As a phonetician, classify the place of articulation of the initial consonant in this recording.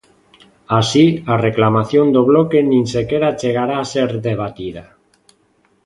alveolar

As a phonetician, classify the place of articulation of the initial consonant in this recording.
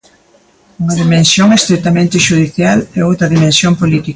velar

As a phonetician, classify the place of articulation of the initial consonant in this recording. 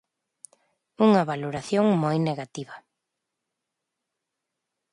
velar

